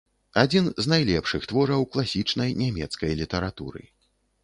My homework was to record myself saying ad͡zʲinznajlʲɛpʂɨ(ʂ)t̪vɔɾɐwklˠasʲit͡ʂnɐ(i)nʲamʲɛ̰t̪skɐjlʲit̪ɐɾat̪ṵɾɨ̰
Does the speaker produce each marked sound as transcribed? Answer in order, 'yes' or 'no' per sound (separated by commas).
no, no